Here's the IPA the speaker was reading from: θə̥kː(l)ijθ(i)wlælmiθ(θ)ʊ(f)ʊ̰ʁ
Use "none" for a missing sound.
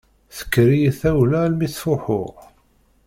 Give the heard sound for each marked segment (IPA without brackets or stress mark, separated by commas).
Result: ɾ, æ, f, ħ